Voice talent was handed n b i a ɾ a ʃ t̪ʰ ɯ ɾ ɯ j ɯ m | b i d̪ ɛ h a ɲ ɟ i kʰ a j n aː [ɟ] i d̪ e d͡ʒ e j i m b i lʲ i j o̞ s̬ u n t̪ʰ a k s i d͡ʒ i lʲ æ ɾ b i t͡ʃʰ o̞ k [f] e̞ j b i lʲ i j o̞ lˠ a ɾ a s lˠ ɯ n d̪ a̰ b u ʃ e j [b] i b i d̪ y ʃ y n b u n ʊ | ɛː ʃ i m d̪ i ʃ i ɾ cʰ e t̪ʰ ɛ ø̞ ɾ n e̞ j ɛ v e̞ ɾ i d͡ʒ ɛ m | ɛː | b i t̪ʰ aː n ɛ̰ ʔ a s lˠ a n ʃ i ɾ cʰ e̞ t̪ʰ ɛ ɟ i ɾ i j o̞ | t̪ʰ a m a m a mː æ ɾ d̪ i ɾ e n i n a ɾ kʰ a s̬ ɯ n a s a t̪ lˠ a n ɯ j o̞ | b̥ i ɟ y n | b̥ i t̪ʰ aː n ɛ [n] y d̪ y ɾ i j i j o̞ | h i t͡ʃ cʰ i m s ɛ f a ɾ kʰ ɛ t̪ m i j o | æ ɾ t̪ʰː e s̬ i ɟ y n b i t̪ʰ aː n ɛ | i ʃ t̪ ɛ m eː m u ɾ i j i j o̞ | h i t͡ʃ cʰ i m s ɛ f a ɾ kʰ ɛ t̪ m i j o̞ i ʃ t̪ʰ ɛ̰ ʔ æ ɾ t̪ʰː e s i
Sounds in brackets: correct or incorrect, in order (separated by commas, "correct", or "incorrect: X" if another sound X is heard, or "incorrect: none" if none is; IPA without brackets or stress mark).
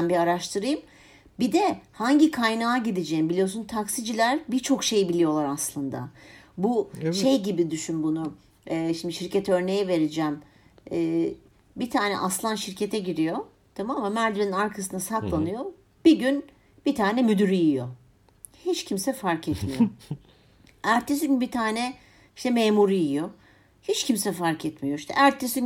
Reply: correct, incorrect: ʃ, incorrect: ɟ, incorrect: m